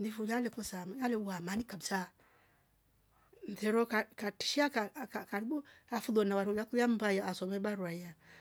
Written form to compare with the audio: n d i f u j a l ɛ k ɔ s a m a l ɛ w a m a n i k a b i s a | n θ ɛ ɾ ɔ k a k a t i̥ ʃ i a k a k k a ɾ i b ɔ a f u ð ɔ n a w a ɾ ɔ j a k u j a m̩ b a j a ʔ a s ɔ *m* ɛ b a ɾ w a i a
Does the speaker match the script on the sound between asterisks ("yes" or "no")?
yes